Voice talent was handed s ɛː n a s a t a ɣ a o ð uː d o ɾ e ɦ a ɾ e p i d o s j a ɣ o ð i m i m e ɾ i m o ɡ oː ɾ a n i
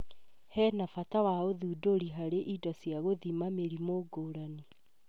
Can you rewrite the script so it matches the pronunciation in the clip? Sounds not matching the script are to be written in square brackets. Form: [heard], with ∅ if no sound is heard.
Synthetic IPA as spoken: [h] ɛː n a [f] a t a [w] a o ð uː d o ɾ [i] ɦ a ɾ e [ʔ] i d [ɔ] s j a ɣ o ð i m [a] m e ɾ i m o ɡ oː ɾ a n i